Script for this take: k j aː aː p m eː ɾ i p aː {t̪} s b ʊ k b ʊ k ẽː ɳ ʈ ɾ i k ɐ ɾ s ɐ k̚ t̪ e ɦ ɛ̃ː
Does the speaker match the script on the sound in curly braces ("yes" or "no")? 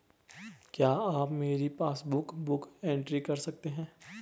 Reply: no